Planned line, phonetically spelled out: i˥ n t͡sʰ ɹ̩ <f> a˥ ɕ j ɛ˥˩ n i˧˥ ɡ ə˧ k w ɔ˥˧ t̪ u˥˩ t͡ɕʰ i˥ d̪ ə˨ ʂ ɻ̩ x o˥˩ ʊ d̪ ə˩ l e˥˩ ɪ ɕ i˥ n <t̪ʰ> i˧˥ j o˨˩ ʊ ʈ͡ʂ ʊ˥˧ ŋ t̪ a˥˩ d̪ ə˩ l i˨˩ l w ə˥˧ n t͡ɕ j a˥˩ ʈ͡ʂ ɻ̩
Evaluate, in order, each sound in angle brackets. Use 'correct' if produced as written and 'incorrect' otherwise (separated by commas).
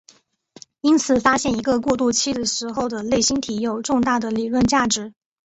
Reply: correct, correct